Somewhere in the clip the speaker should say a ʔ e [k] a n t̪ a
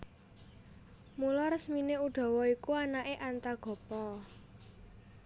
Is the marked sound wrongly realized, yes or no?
yes